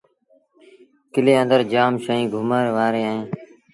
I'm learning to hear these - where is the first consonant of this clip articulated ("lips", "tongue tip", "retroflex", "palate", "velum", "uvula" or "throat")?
velum